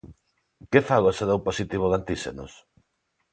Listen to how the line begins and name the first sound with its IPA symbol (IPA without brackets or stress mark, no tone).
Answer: k